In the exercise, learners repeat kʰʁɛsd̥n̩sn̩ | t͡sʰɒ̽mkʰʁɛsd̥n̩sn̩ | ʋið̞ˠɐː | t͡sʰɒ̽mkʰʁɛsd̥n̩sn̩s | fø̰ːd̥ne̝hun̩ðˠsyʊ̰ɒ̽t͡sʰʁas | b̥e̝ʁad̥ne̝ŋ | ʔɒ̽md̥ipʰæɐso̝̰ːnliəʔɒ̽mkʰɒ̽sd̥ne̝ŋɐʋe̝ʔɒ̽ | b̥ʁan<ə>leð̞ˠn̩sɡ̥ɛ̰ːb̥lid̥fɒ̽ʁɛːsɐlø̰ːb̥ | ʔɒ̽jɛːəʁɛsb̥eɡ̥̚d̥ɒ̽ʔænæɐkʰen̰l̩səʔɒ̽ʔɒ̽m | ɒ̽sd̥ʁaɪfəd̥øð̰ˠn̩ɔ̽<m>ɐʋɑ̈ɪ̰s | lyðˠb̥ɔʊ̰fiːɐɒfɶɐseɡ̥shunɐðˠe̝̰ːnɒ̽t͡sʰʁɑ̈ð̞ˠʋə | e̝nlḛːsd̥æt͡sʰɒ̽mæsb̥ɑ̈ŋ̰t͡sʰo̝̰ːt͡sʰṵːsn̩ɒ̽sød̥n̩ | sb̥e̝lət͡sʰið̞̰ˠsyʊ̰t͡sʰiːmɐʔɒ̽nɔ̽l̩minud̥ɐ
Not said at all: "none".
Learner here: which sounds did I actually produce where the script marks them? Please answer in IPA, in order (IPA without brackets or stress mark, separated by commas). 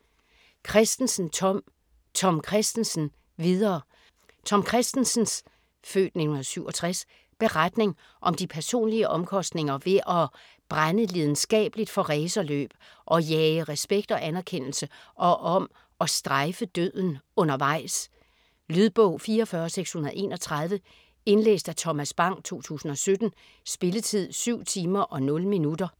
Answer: ə, n